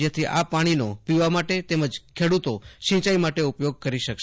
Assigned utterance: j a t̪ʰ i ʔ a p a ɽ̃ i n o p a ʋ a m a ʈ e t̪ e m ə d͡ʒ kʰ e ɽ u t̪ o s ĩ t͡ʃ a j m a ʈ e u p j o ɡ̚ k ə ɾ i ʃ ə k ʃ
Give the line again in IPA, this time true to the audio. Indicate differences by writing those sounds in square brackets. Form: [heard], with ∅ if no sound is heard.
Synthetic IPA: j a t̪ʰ i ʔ a p a ɽ̃ i n o p [i] ʋ a m a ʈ e t̪ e m ə d͡ʒ kʰ e ɽ u t̪ o [ʃ] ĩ t͡ʃ a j m a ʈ e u p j o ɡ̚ k ə ɾ i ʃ ə k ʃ